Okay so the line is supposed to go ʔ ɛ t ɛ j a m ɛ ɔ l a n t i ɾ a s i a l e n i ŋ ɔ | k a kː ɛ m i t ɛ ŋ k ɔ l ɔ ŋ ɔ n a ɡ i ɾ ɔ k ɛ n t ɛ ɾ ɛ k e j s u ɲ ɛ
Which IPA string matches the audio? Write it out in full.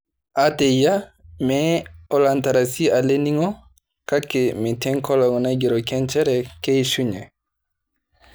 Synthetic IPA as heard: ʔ a t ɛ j a m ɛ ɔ l a n t a ɾ a s i a l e n i ŋ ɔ | k a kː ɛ m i t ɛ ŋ k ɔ l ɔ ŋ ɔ n a ɡ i ɾ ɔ k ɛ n t͡ʃ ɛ ɾ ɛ k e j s u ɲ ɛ

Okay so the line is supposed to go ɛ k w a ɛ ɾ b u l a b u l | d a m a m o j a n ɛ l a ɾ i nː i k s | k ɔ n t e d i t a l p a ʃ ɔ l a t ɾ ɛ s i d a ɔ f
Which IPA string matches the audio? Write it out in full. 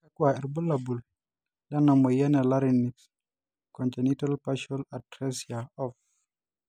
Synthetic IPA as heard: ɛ k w a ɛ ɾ b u l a b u l | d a n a m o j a n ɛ l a ɾ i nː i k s | k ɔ n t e n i t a l p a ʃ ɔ l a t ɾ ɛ s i a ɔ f

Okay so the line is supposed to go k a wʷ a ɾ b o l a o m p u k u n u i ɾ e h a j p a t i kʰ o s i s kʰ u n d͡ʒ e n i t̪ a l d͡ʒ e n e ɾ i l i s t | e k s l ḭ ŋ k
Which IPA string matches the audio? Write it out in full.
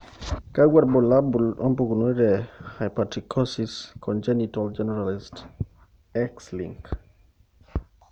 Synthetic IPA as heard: k a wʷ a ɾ b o l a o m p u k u n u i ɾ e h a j p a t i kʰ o s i s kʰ o n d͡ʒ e n i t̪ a l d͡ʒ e n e ɾ a l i s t | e k s l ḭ ŋ k

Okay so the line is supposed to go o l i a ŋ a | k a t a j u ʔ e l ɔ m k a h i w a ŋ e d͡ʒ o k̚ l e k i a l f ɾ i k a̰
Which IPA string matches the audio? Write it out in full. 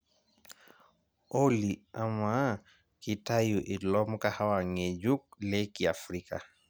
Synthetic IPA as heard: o l i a m a | k i t a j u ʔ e l ɔ m k a h a w a ŋ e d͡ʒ u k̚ l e k i a f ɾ i k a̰

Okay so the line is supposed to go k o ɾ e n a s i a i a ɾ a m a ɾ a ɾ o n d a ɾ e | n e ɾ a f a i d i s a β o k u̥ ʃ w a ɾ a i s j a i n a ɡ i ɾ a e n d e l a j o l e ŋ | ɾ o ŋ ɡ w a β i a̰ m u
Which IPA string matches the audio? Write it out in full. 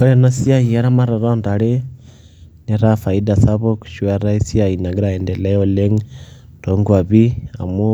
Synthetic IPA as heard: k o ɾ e n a s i a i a ɾ a m a ɾ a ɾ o n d a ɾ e | n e ɾ a f a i d a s a β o k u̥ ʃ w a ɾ a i s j a i n a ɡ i ɾ a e n d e l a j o l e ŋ | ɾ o ŋ ɡ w a β i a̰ m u

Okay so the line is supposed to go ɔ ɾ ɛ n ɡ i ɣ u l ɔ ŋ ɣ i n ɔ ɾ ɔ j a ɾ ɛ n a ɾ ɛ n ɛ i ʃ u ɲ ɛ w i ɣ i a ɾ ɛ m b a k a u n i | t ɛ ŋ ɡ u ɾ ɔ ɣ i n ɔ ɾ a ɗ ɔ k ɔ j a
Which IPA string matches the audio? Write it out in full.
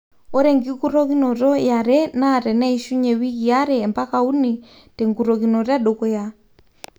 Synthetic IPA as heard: ɔ ɾ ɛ ŋ ɡ i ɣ u ɾ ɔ ɣ i n ɔ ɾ ɔ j a ɾ ɛ n a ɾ ɛ n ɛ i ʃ u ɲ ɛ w i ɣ i a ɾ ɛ m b a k a u n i | t ɛ ŋ ɡ u ɾ ɔ ɣ i n ɔ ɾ a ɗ ɔ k ɔ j a

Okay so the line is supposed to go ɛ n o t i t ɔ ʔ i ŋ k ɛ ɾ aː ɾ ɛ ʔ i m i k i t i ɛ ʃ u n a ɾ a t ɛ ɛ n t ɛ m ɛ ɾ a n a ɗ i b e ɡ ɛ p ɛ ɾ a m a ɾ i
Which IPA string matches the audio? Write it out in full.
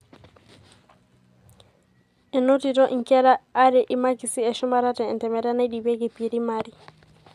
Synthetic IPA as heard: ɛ n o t i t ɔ ʔ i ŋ k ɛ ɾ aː ɾ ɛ ʔ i m a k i s i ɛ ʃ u m a ɾ a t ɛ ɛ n t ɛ m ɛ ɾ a n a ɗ i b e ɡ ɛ p i ɾ i m a ɾ i

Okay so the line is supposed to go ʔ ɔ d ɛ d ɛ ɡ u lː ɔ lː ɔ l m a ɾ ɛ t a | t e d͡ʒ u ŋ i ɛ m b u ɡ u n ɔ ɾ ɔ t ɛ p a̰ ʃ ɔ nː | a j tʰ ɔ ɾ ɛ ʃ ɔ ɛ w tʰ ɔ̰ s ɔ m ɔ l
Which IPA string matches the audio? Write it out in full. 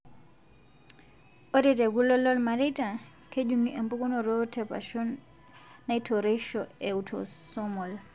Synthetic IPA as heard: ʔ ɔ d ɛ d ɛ ɡ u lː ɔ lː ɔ l m a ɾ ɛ t a | k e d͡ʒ u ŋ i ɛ m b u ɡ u n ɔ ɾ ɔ t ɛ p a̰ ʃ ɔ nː | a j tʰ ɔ ɾ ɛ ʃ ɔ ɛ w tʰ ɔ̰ s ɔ m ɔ l

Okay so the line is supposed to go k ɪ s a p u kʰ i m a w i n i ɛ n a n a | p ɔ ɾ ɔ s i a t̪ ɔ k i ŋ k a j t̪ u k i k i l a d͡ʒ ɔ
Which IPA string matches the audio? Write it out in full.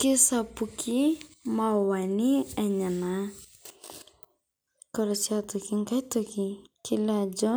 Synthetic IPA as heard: k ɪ s a p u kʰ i m a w a n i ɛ ɲ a n a | k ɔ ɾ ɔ s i a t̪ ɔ k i ŋ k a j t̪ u k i k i l a d͡ʒ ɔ

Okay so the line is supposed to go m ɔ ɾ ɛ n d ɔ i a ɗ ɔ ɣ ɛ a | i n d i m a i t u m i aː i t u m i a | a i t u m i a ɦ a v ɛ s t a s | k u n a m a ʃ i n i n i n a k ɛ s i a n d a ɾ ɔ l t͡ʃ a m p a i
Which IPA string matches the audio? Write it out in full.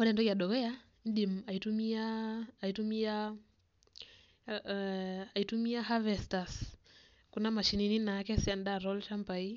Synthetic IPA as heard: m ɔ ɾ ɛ n d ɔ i a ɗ ɔ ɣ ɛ a | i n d i m a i t u m i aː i t u m i a | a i t u m i a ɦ a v ɛ s t a s | k u n a m a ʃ i n i n i n a k ɛ s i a n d a ɾ ɔ l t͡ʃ a m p a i

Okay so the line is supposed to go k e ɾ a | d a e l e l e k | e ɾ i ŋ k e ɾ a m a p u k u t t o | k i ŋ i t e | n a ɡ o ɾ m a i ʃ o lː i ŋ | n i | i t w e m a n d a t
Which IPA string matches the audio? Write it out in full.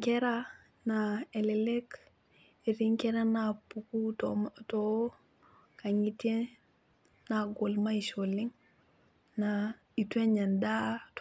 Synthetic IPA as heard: k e ɾ a | n a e l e l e k | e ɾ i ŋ k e ɾ a n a p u k u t t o | k a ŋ i t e | n a ɡ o l m a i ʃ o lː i ŋ | n a | i t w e ɲ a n d a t

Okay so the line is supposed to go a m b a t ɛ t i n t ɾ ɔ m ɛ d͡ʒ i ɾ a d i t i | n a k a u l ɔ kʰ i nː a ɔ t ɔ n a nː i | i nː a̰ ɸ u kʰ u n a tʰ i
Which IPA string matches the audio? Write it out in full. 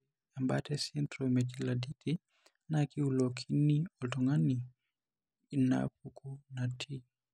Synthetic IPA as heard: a m b a t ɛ s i n t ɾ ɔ m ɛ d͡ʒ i l a d i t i | n a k i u l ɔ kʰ i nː i ɔ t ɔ ŋ a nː i | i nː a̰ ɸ u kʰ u n a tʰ i

